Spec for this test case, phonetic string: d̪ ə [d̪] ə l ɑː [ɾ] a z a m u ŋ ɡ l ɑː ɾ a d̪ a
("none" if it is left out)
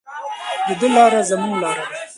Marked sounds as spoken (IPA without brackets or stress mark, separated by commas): d̪, ɾ